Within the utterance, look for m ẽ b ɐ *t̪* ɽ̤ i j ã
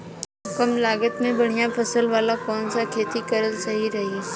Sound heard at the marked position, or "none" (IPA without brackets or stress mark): none